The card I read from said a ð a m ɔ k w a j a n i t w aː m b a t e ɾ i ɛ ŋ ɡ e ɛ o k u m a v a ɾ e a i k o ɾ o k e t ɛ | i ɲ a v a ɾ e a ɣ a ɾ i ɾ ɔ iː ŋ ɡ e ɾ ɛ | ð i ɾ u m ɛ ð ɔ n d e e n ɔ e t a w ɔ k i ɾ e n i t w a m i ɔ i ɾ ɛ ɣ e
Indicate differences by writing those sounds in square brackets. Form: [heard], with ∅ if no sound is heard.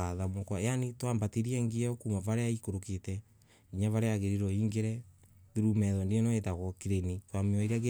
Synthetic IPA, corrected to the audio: a ð a m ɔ k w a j a n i t w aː m b a t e ɾ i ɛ ŋ ɡ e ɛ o k u m a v a ɾ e a i k o ɾ o k e t ɛ | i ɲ a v a ɾ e a ɣ [e] ɾ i ɾ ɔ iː ŋ ɡ e ɾ ɛ | ð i ɾ u m ɛ ð ɔ n d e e n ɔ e t a [ɣ] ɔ k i ɾ e n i t w a m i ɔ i ɾ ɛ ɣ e